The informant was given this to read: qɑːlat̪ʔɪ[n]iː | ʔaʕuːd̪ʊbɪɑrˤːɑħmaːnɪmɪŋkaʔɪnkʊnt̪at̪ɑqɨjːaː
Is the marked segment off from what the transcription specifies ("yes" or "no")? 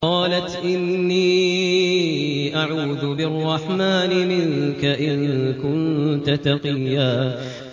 yes